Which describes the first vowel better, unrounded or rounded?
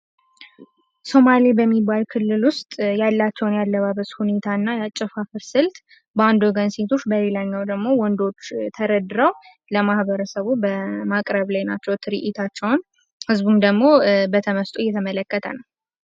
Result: rounded